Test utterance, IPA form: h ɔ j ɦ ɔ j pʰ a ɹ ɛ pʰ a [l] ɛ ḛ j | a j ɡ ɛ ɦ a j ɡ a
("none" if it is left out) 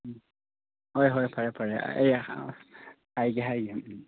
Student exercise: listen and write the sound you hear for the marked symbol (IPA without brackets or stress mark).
ɹ